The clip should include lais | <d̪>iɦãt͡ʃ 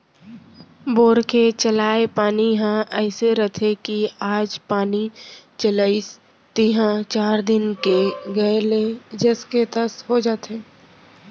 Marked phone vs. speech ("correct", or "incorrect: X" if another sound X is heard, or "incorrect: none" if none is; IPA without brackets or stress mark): incorrect: t̪